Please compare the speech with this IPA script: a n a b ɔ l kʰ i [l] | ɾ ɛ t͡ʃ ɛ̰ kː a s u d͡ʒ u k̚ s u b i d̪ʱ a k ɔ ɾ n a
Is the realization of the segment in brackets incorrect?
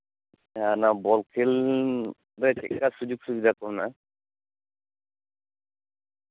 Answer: no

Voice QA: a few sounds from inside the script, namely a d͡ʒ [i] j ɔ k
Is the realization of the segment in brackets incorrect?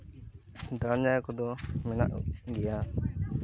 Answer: yes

